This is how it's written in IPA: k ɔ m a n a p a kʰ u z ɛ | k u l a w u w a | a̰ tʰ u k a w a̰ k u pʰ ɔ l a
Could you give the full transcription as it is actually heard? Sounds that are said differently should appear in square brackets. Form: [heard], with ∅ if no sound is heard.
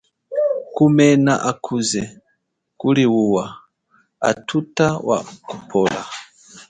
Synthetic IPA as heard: k [u] m [ɛ] n a [ʔ] a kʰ u z ɛ | k u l [i] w u w a | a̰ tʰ u [t] a w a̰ k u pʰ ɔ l a